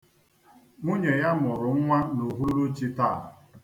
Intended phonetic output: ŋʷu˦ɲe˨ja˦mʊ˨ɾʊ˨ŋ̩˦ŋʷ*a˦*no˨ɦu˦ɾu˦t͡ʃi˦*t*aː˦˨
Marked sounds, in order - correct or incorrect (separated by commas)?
correct, correct